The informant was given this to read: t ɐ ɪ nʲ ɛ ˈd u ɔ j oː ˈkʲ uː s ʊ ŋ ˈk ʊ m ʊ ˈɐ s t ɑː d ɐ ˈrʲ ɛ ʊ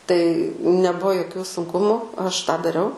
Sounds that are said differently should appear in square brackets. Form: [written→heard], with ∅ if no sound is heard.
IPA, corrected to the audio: t ɐ ɪ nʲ ɛ [ˈd→ˈb] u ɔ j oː ˈkʲ uː s ʊ ŋ ˈk ʊ m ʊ ˈɐ [s→ʃ] t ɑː d ɐ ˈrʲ ɛ ʊ